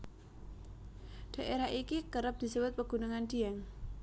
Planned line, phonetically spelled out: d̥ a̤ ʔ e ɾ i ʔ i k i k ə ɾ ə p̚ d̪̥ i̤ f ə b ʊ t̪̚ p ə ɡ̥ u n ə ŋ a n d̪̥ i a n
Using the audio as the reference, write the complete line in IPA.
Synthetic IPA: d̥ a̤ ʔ e ɾ a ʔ i k i k ə ɾ ə p̚ d̪̥ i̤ s ə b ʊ t̪̚ p ə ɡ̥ u n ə ŋ a n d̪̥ i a ŋ